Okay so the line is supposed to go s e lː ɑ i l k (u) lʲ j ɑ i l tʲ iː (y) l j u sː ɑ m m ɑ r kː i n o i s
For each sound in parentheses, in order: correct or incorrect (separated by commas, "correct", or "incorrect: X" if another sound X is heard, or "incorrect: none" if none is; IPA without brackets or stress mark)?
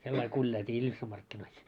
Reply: correct, incorrect: i